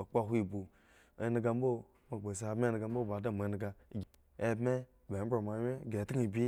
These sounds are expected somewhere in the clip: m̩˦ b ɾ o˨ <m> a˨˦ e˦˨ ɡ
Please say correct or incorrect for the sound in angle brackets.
correct